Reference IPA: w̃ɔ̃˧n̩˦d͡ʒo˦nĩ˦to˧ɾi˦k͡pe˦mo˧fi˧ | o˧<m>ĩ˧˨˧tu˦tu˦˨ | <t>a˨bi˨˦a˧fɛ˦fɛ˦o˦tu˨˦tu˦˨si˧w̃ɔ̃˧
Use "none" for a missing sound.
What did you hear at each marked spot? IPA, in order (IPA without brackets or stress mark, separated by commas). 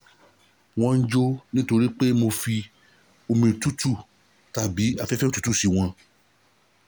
m, t